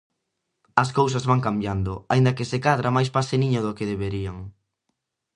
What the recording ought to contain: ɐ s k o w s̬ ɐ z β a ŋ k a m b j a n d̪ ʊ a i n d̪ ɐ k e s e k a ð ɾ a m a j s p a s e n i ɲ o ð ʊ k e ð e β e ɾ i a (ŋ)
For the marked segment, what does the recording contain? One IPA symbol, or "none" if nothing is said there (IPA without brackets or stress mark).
ŋ